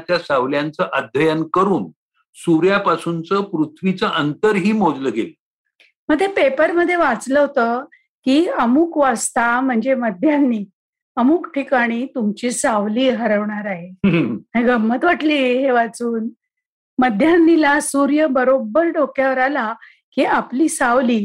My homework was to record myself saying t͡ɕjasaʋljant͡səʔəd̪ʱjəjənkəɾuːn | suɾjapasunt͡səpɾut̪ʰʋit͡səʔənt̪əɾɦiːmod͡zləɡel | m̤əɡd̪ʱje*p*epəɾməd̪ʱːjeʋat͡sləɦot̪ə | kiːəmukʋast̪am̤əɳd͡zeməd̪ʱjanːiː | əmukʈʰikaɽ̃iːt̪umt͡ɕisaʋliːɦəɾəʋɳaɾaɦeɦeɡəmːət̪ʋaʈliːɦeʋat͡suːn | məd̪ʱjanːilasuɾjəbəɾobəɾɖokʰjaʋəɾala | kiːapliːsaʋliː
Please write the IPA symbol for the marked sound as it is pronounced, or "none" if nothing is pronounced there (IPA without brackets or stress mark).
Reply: p